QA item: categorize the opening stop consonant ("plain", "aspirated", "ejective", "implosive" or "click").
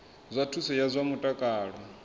aspirated